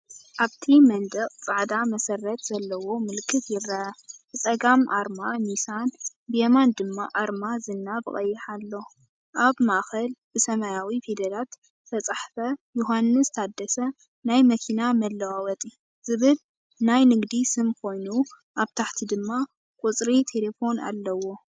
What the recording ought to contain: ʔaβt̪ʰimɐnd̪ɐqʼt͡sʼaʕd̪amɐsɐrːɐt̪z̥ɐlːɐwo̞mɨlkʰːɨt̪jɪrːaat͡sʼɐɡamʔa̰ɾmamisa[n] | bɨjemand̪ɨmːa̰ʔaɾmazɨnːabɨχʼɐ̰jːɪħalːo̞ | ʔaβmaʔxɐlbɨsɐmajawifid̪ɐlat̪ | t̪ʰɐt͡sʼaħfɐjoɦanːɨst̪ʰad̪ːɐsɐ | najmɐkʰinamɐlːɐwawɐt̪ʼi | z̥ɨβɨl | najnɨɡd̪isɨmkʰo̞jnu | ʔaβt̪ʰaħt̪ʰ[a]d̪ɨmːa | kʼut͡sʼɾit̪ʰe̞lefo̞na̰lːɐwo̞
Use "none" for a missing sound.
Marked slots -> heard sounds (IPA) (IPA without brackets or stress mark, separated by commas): n, i